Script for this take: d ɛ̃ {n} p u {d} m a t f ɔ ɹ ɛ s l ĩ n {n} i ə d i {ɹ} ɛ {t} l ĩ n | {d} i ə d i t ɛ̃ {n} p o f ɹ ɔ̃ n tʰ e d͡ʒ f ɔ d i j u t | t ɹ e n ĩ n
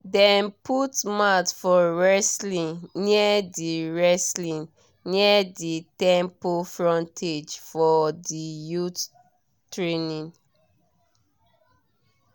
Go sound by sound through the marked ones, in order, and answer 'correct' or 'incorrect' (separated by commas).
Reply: correct, incorrect, correct, correct, incorrect, incorrect, incorrect